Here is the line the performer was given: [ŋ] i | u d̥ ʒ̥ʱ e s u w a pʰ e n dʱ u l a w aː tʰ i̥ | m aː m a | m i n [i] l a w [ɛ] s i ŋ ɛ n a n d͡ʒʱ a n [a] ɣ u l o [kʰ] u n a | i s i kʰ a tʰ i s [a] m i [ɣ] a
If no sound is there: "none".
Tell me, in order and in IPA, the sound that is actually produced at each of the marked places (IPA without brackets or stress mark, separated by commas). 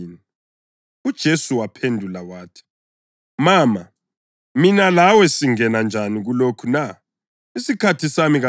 n, a, ɛ, i, kʰ, a, ɣ